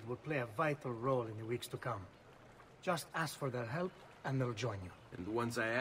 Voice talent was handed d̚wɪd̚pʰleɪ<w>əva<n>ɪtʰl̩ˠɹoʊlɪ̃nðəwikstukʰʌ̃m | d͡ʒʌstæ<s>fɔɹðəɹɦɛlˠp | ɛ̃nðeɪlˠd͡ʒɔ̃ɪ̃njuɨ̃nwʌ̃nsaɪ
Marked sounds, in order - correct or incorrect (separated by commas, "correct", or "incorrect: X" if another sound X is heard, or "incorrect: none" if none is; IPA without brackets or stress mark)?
incorrect: none, incorrect: none, correct